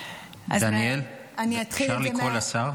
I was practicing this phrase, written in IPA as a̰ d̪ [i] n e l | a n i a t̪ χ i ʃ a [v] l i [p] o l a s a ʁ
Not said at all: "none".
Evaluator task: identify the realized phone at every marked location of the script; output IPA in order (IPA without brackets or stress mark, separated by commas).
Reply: a, ʁ, k